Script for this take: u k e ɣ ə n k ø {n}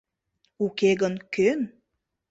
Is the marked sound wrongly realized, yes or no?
no